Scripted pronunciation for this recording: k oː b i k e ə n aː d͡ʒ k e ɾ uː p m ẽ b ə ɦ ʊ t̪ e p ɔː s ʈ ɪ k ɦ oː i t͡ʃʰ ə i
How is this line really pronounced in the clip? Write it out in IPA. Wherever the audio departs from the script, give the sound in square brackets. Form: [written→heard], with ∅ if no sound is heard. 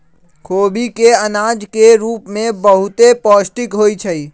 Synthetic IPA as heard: [k→kʰ] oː b i k e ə n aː d͡ʒ k e ɾ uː p m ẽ b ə ɦ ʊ t̪ e p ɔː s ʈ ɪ k ɦ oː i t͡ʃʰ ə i